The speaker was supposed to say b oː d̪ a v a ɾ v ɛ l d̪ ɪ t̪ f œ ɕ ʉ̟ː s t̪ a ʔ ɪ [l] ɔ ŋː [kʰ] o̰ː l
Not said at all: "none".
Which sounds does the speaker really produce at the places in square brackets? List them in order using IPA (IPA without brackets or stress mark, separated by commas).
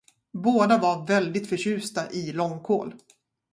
l, kʰ